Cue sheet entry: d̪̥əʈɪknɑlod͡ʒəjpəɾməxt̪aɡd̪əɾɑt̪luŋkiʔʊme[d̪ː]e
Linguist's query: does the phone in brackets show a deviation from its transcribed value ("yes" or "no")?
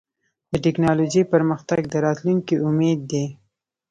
no